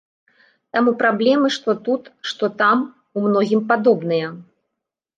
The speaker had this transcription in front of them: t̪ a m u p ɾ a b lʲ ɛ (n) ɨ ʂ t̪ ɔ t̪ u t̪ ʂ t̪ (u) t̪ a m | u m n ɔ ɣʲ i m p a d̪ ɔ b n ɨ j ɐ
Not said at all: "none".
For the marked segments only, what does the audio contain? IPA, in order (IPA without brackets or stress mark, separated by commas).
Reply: m, ɔ